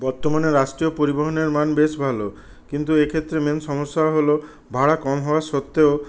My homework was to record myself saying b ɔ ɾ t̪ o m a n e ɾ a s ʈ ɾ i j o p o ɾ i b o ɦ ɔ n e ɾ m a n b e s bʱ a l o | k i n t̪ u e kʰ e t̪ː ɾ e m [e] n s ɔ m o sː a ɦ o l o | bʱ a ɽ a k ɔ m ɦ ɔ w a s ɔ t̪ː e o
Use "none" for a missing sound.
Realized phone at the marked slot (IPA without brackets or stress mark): e